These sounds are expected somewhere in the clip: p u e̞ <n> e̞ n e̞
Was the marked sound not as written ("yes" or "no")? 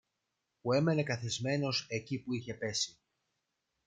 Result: yes